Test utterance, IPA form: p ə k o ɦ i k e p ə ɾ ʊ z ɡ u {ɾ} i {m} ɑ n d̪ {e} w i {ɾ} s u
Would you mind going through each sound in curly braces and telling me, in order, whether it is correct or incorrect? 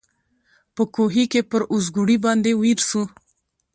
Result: incorrect, incorrect, correct, correct

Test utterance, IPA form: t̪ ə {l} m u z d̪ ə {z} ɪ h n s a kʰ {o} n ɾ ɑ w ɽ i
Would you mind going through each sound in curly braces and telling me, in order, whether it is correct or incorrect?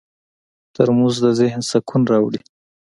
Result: incorrect, correct, incorrect

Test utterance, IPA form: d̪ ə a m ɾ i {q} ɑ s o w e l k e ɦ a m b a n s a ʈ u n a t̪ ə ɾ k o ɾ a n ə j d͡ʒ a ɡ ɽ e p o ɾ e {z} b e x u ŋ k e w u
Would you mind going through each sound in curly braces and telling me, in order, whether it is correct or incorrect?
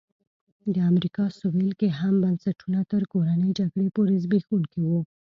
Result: incorrect, correct

